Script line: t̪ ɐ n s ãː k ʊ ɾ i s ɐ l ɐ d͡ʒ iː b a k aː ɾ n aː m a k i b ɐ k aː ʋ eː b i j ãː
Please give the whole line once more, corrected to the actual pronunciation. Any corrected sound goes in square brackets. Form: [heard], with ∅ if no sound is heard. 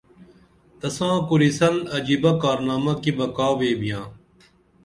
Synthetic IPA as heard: t̪ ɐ [∅] s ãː k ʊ ɾ i s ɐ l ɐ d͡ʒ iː b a k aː ɾ n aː m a k i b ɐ k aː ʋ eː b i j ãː